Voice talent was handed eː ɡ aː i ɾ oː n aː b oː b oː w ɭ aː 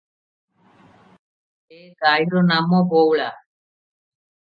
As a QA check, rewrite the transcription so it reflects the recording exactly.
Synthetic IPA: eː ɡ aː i ɾ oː n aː m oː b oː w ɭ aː